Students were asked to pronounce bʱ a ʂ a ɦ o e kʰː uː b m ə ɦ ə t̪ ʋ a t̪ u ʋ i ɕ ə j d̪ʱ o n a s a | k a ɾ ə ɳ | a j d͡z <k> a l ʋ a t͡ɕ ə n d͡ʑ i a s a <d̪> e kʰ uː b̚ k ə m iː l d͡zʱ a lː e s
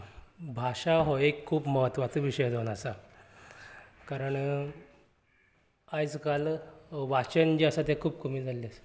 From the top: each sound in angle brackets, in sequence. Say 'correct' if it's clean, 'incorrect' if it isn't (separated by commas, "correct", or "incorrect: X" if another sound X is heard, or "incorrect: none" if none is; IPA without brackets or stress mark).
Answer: correct, incorrect: t̪